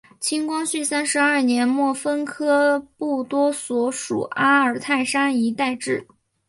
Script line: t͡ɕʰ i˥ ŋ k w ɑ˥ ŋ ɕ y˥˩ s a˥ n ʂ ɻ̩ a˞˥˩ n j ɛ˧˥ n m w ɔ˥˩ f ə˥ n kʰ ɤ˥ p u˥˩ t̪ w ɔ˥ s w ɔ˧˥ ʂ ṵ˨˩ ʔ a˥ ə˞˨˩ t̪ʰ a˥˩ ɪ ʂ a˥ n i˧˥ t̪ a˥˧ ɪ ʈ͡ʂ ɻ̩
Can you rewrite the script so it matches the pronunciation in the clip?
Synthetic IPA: t͡ɕʰ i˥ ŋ k w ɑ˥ ŋ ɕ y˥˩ s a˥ n ʂ ɻ̩ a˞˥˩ n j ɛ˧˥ n m w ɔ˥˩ f ə˥ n kʰ ɤ˥ p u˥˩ t̪ w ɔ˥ s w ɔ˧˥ ʂ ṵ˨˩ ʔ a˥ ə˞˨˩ t̪ʰ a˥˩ ɪ ʂ a˥ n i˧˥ t̪ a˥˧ ɪ ʈ͡ʂ ɻ̩

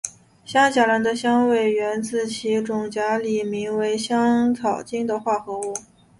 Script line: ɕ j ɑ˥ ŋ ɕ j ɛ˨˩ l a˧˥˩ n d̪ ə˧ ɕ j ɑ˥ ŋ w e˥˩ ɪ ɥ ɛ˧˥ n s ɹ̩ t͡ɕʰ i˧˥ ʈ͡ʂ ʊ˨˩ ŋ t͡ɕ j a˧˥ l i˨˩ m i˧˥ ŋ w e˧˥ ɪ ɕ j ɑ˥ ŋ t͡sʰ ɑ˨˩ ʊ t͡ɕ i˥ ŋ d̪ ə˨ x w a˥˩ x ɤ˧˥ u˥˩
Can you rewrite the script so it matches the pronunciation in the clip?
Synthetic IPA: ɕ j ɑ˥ ŋ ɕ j a˨˩ l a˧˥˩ n d̪ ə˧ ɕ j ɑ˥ ŋ w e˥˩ ɪ ɥ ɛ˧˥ n t͡s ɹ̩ t͡ɕʰ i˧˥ ʈ͡ʂ ʊ˨˩ ŋ t͡ɕ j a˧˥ l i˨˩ m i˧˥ ŋ w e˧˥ ɪ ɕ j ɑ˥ ŋ t͡sʰ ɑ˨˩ ʊ t͡ɕ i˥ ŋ d̪ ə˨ x w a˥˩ x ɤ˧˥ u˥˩

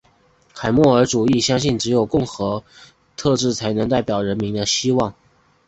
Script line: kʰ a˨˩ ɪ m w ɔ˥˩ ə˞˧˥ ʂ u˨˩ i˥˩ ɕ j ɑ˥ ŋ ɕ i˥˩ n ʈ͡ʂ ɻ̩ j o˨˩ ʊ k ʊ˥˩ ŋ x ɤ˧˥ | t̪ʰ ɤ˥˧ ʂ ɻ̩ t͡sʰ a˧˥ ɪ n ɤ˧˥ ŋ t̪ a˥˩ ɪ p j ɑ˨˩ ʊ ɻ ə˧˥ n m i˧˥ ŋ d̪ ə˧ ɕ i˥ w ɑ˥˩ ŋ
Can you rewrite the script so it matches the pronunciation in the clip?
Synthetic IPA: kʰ a˨˩ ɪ m w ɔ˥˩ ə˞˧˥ ʈ͡ʂ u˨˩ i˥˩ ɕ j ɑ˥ ŋ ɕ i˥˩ n ʈ͡ʂ ɻ̩ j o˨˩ ʊ k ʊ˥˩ ŋ x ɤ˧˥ | t̪ʰ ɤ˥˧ ʈ͡ʂ ɻ̩ t͡sʰ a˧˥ ɪ n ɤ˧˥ ŋ t̪ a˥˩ ɪ p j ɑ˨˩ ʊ ɻ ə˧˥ n m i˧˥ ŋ d̪ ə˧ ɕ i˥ w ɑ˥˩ ŋ

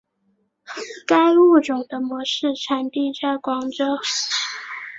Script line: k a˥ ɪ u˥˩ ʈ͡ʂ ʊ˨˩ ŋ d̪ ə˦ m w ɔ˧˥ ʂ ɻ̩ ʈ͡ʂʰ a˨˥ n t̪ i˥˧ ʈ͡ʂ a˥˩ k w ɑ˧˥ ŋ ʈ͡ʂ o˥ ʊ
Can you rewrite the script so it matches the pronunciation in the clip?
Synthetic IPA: k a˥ ɪ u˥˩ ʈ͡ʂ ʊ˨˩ ŋ d̪ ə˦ m w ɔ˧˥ ʂ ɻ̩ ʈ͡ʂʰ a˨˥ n t̪ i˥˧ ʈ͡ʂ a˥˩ k w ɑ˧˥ ŋ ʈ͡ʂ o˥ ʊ

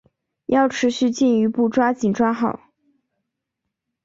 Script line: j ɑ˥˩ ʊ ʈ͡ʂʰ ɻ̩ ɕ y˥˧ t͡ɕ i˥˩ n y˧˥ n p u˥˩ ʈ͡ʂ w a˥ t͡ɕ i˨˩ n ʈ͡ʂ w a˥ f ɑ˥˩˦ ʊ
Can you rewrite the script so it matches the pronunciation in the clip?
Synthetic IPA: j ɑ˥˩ ʊ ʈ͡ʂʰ ɻ̩ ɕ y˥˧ t͡ɕ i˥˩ n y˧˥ p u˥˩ ʈ͡ʂ w a˥ t͡ɕ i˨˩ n ʈ͡ʂ w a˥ x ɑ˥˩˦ ʊ

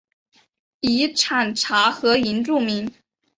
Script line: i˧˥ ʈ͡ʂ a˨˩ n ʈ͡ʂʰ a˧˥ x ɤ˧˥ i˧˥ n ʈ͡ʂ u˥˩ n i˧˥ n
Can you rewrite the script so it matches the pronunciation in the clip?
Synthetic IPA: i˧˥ ʈ͡ʂʰ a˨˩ n ʈ͡ʂʰ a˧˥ x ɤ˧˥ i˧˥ n ʈ͡ʂ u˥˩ m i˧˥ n

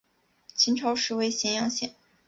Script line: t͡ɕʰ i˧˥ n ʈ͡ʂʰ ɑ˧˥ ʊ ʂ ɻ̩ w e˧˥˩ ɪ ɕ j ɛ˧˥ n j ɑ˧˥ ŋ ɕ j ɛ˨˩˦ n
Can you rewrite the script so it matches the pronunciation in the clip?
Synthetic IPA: t͡ɕʰ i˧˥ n ʈ͡ʂʰ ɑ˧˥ ʊ ʂ ɻ̩ w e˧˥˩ ɪ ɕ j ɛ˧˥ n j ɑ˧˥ ŋ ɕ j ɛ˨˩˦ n

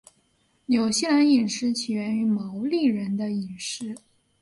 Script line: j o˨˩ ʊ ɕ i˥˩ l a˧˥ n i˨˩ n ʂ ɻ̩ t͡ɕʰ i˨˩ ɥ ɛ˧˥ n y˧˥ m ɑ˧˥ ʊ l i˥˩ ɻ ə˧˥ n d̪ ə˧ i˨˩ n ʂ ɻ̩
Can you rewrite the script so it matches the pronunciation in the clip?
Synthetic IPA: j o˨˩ ʊ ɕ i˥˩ l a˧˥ n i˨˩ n ʂ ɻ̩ t͡ɕʰ i˨˩ ɥ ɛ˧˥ n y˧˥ m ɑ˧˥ ʊ l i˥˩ ɻ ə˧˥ n d̪ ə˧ i˨˩ n ʂ ɻ̩

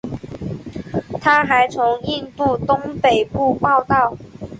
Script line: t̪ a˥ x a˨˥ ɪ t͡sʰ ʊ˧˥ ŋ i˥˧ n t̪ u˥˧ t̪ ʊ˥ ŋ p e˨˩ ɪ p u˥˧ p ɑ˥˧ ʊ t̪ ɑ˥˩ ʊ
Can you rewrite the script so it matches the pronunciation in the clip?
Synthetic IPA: t̪ʰ a˥ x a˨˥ ɪ t͡sʰ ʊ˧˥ ŋ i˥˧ n t̪ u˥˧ t̪ ʊ˥ ŋ p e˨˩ ɪ p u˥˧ p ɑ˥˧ ʊ t̪ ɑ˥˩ ʊ

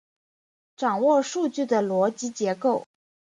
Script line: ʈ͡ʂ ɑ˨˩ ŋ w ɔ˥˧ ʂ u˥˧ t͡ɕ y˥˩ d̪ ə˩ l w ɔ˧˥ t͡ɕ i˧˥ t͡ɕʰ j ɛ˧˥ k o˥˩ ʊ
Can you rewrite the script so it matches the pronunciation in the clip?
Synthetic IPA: ʈ͡ʂ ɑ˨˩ ŋ w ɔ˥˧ ʂ u˥˧ t͡ɕ y˥˩ d̪ ə˩ l w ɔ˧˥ t͡ɕ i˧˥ t͡ɕ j ɛ˧˥ k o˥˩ ʊ

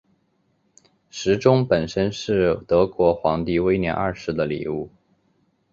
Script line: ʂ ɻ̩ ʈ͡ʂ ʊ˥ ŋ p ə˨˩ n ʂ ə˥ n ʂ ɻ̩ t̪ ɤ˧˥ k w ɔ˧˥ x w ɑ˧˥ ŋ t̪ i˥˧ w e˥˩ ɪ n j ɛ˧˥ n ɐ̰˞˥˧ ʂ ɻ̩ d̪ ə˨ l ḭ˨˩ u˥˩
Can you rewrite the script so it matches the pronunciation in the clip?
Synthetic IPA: ʂ ɻ̩ ʈ͡ʂ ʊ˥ ŋ p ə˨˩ n ʂ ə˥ n ʂ ɻ̩ t̪ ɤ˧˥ k w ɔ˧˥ x w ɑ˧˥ ŋ t̪ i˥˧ w e˥ ɪ n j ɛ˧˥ n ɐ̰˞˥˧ ʂ ɻ̩ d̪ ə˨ l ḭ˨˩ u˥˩

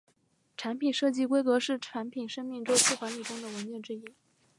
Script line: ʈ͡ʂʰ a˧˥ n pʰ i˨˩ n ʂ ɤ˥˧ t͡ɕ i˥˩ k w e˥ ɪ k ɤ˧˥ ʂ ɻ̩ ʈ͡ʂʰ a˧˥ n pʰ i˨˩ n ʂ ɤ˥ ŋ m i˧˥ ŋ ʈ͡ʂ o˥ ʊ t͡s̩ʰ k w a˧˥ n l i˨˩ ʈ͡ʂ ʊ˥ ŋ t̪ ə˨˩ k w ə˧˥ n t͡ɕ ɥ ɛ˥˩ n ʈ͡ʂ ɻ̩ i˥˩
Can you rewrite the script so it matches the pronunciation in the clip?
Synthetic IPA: ʈ͡ʂʰ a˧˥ n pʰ i˨˩ n ʂ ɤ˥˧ t͡ɕ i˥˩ k w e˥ ɪ k ɤ˧˥ ʂ ɻ̩ ʈ͡ʂʰ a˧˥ n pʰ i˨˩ n ʂ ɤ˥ ŋ m i˥˩ ŋ ʈ͡ʂ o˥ ʊ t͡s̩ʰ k w a˧˥ n l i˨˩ ʈ͡ʂ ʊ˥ ŋ d̪ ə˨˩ w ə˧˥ n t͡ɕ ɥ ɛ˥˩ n ʈ͡ʂ ɻ̩ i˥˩

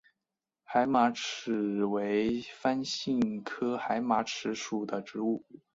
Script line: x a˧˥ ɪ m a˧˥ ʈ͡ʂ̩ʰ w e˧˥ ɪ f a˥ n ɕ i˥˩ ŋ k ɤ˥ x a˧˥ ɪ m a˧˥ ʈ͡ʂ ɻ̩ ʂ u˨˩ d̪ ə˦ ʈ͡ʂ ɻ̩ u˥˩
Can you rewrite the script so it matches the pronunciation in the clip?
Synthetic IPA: x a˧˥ ɪ m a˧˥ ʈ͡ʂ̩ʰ w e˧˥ ɪ f a˥ n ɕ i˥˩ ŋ kʰ ɤ˥ x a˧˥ ɪ m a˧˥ ʈ͡ʂʰ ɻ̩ ʂ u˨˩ d̪ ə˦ ʈ͡ʂ ɻ̩ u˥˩

